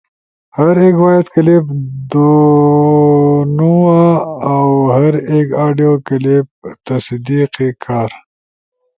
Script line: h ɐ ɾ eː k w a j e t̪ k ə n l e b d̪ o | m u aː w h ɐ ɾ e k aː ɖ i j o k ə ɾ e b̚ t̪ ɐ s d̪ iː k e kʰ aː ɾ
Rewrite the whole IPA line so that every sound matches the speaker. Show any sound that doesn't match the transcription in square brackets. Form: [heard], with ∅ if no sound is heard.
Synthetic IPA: h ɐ ɾ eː k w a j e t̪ k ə [∅] l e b d̪ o | [n] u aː w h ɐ ɾ e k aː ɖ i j o k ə [l] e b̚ t̪ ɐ s d̪ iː [q] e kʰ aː ɾ